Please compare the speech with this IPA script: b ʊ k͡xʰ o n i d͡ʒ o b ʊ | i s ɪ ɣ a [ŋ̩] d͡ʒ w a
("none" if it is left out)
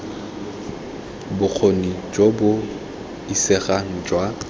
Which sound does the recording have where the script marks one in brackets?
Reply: ŋ̩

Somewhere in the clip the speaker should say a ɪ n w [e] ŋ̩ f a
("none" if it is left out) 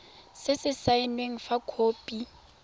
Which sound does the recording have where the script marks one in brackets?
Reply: e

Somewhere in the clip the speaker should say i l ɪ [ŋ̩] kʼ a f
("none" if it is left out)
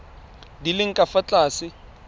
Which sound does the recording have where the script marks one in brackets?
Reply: ŋ̩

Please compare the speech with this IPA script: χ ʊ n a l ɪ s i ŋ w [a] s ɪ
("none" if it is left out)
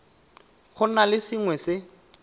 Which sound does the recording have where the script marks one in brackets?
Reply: ɛ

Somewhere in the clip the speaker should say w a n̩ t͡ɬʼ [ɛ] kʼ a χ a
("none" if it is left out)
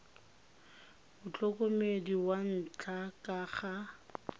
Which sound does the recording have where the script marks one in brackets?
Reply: a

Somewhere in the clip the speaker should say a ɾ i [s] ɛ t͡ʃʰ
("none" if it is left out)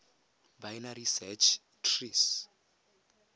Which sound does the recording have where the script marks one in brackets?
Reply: s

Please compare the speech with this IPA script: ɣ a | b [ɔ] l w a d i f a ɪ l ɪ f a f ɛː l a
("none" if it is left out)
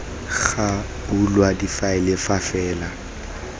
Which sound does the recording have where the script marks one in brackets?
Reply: u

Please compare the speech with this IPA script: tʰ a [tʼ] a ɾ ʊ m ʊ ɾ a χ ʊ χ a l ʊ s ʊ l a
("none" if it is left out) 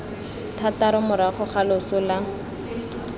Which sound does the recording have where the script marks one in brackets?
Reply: t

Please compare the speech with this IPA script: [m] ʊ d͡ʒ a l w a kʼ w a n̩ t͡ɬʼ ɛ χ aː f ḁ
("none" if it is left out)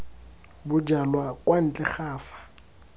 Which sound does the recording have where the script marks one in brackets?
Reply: b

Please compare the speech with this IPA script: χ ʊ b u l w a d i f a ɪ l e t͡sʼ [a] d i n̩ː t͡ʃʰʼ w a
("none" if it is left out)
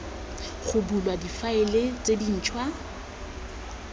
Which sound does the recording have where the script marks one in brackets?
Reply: e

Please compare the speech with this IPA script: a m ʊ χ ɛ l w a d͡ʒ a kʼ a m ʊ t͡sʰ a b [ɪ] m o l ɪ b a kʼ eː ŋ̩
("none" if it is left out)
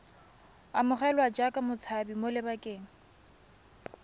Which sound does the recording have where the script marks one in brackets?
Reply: i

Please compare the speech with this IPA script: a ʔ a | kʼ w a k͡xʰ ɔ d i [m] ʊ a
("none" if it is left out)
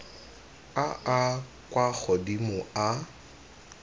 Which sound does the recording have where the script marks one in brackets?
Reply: m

